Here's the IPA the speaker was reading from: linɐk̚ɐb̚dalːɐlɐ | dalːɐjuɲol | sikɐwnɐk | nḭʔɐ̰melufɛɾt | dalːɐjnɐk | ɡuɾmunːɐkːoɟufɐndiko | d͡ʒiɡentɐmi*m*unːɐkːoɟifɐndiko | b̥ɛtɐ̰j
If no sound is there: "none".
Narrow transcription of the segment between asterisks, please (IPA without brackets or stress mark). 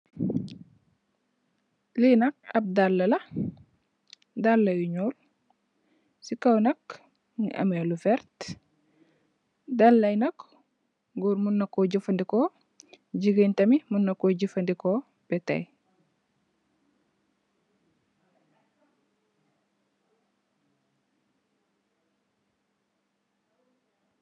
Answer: m